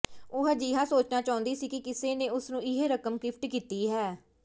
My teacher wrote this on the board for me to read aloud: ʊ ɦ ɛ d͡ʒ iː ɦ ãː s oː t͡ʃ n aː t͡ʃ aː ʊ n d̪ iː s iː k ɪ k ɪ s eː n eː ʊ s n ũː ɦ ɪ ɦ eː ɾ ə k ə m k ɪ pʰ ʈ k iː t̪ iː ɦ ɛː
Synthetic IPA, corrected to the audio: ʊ ɦ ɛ d͡ʒ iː ɦ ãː s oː t͡ʃ n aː t͡ʃ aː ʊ n d̪ iː s iː k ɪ k ɪ s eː n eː ʊ s n ũː ɪ ɦ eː ɾ ə k ə m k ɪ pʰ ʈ k iː t̪ iː ɦ ɛː